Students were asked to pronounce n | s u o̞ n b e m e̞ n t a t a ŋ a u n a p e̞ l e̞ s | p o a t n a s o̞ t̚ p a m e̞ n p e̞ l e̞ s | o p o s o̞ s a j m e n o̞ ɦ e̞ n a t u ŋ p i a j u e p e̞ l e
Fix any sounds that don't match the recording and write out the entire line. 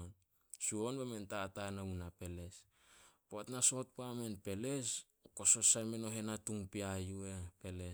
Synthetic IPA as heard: n | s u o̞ n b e m e̞ n t a t a n a u n a p e̞ l e̞ s | p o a t n a s o̞ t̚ p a m e̞ n p e̞ l e̞ s | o k o s o̞ s a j m e n o̞ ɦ e̞ n a t u ŋ p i a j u e p e̞ l e